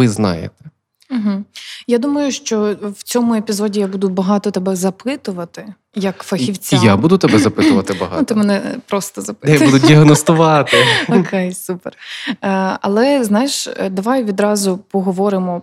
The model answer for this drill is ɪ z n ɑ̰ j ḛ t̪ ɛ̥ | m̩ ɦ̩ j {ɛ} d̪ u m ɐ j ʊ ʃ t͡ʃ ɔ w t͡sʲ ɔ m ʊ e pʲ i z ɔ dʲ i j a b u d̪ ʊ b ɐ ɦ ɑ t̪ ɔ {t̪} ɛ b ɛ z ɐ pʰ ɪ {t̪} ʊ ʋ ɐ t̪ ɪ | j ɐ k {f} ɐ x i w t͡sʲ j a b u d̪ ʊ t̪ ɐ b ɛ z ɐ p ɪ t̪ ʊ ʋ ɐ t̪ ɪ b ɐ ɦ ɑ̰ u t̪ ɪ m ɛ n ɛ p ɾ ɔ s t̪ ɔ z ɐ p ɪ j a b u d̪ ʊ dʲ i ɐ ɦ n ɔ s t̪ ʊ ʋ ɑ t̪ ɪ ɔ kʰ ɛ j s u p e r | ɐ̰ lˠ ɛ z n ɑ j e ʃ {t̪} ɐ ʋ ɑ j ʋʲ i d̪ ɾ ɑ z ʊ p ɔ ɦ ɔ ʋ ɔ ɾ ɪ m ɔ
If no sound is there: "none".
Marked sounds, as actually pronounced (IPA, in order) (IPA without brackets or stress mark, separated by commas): a, t̪, t̪, f, d̪